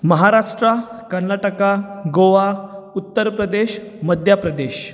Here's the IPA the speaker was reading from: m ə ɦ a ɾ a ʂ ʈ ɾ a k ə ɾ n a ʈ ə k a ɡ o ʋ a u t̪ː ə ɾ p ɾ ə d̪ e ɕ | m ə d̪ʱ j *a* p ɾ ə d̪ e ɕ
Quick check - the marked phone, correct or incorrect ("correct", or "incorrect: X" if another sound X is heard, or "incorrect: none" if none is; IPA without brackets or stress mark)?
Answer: correct